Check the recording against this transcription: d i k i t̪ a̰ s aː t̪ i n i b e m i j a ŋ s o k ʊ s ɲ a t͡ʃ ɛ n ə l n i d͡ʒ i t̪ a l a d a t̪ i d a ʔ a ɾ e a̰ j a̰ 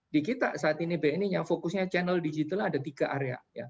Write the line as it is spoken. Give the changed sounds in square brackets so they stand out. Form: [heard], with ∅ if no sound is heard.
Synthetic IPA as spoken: d i k i t̪ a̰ s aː t̪ i n i b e [n] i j a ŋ [f] o k ʊ s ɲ a t͡ʃ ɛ n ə l [d] i d͡ʒ i t̪ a l a d a t̪ i [ɡ] a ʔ a ɾ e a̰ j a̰